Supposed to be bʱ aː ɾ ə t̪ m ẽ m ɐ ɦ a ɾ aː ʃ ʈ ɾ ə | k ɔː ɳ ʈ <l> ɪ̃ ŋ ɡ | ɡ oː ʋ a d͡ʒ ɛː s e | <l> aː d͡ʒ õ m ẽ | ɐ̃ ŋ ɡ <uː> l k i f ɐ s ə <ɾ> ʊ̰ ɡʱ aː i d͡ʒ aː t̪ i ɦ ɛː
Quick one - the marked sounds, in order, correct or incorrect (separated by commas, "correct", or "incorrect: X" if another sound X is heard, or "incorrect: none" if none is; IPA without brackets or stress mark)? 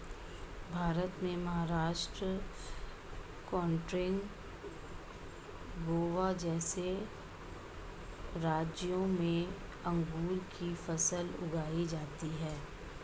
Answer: incorrect: ɾ, incorrect: ɾ, correct, incorrect: l